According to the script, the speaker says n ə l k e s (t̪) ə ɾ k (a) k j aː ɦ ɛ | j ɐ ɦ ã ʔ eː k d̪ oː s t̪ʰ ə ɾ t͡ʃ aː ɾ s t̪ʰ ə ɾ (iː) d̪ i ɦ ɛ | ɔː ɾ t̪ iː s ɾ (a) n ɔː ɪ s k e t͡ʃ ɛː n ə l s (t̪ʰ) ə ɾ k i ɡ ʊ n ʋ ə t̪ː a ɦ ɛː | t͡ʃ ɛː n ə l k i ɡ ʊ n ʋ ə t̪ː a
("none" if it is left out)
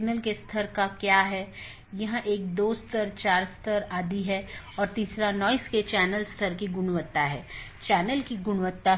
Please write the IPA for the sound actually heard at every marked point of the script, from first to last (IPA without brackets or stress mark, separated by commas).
t̪ʰ, a, aː, a, t̪ʰ